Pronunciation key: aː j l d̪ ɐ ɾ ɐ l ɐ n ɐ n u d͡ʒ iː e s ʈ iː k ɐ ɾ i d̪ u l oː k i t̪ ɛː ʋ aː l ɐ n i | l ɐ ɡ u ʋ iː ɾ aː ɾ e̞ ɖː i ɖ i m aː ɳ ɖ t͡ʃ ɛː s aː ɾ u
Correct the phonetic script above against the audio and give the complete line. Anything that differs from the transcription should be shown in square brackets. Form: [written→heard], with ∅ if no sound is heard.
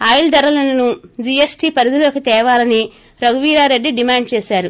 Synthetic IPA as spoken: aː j l d̪ ɐ ɾ ɐ l ɐ n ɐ n u d͡ʒ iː e s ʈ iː [k→p] ɐ ɾ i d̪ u l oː k i t̪ ɛː ʋ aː l ɐ n i | [l→ɾ] ɐ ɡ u ʋ iː ɾ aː ɾ e̞ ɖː i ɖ i m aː ɳ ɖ t͡ʃ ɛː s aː ɾ u